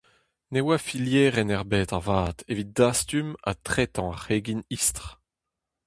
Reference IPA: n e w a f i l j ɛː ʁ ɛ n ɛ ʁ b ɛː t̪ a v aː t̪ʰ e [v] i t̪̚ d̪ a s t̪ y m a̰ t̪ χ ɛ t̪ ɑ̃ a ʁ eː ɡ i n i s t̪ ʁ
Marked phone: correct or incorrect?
correct